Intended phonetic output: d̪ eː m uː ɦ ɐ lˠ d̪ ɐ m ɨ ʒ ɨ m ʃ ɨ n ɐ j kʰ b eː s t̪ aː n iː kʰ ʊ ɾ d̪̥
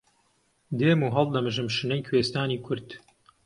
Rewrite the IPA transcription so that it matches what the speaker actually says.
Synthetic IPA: d̪ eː m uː ɦ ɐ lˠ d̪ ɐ m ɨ ʒ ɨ m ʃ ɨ n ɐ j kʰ w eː s t̪ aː n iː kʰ ʊ ɾ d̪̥